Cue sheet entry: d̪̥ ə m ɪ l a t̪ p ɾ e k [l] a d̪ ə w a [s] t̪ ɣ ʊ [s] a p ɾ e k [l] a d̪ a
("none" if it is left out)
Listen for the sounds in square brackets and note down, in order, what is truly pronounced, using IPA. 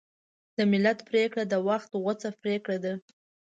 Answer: ɽ, x, t͡s, ɽ

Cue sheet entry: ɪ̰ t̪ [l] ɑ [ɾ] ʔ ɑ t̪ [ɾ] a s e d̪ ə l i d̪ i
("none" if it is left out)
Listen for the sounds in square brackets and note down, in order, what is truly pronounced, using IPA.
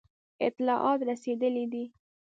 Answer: l, none, ɾ

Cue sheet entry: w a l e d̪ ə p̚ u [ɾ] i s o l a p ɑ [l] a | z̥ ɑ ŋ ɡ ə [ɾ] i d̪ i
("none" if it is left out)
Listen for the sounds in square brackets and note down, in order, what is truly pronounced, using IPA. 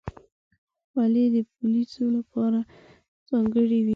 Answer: l, ɾ, ɽ

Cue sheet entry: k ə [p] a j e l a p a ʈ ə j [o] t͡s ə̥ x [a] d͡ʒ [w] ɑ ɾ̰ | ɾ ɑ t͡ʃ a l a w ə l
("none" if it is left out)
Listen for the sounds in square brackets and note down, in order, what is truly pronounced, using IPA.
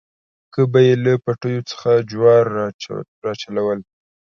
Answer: b, o, a, w

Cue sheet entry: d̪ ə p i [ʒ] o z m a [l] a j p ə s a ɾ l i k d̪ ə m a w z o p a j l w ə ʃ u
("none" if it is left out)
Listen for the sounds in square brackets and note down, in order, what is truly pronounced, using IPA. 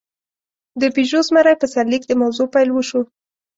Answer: ʒ, ɾ

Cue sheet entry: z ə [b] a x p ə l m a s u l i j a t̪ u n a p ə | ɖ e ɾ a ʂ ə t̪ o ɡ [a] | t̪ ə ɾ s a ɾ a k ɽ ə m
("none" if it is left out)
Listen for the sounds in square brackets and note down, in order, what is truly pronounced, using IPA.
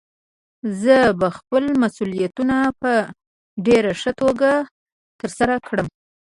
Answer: b, a

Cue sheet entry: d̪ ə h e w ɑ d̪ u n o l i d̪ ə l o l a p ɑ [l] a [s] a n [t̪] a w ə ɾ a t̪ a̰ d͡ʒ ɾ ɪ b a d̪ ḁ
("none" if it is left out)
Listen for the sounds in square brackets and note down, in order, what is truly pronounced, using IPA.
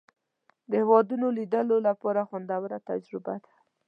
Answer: ɾ, x, d̪

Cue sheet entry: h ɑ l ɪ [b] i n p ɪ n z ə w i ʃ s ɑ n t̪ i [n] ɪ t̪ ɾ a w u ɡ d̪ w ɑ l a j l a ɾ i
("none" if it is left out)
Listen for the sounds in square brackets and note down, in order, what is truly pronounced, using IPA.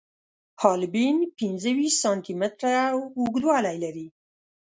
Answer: b, m

